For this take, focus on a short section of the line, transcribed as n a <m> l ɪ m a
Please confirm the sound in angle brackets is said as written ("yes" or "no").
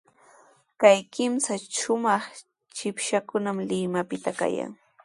yes